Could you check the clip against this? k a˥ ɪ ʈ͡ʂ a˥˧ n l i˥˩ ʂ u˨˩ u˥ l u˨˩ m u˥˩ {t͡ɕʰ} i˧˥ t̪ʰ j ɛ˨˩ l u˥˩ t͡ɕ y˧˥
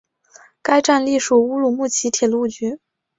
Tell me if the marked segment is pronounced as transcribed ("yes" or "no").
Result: yes